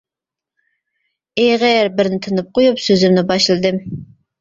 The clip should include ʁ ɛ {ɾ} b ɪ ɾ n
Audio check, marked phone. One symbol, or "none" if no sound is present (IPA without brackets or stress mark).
ɾ